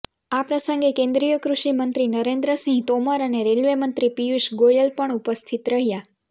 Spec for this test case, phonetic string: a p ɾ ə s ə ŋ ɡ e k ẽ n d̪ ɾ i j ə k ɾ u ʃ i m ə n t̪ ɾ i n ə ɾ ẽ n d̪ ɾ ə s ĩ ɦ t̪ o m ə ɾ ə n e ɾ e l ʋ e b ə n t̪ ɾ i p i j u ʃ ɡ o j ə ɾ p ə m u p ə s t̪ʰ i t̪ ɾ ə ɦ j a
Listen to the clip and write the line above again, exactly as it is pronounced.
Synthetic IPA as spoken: a p ɾ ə s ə ŋ ɡ e k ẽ n d̪ ɾ i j ə k ɾ u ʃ i m ə n t̪ ɾ i n ə ɾ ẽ n d̪ ɾ ə s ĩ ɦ t̪ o m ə ɾ ə n e ɾ e l ʋ e m ə n t̪ ɾ i p i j u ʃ ɡ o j ə l p ə ɳ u p ə s t̪ʰ i t̪ ɾ ə ɦ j a